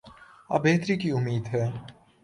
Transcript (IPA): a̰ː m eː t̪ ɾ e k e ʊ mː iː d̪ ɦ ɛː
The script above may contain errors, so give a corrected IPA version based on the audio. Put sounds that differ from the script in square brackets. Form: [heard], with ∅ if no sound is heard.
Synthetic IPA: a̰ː [b] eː t̪ ɾ [i] k [i] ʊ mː iː d̪ ɦ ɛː